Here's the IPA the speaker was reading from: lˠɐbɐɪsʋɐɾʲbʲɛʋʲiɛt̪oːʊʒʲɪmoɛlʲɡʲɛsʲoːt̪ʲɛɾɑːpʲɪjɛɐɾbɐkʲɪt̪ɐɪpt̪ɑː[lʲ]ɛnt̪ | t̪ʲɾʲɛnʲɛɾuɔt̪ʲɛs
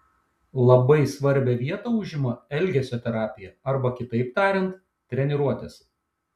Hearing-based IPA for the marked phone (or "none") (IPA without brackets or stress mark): ɾʲ